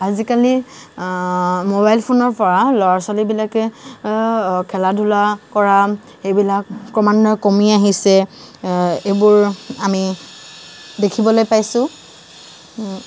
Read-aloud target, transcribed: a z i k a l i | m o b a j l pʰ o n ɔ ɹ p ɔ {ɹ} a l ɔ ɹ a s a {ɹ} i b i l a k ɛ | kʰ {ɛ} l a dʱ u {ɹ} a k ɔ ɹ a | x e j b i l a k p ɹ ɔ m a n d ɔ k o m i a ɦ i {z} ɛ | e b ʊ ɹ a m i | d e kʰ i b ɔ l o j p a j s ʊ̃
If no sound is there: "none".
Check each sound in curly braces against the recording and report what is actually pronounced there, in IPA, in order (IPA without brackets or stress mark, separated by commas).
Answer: ɹ, l, ɛ, l, s